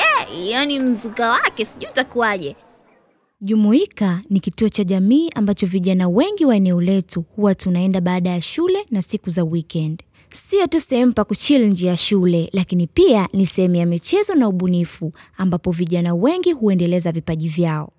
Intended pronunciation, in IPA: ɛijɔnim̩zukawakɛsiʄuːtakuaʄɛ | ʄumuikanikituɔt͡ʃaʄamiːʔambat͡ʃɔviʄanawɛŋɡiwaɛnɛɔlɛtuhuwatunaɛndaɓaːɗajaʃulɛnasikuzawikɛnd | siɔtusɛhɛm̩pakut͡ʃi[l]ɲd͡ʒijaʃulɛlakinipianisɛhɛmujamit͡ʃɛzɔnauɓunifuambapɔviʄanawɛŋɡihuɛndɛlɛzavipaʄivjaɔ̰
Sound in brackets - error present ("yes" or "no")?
no